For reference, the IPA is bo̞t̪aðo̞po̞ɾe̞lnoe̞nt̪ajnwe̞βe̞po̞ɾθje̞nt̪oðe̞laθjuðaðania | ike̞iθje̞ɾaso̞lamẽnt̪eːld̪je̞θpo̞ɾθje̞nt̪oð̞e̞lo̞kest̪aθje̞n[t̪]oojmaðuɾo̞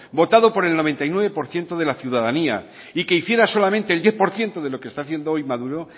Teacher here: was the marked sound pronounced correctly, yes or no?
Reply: no